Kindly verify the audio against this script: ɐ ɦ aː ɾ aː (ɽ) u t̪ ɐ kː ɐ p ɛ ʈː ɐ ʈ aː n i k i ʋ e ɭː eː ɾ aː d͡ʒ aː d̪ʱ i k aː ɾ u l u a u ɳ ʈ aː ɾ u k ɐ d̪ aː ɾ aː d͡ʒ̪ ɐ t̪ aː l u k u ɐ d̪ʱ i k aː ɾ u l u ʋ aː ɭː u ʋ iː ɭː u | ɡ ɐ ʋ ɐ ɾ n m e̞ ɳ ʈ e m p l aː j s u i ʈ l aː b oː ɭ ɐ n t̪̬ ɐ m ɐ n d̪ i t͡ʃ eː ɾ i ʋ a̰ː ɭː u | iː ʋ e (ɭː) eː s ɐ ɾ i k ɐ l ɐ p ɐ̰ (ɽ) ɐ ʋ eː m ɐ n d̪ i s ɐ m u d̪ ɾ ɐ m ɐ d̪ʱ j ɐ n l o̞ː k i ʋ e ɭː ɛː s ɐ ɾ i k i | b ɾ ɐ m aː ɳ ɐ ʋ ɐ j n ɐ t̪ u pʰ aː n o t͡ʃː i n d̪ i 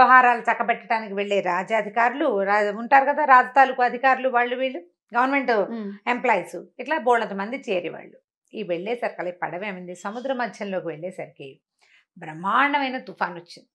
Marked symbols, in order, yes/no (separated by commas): no, yes, yes